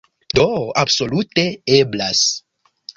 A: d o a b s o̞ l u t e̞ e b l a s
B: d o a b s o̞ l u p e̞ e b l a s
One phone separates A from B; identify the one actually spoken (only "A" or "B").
A